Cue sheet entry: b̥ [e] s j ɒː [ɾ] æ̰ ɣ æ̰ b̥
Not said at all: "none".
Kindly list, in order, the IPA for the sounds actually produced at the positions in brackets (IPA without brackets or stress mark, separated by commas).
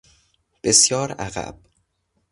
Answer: e, ɾ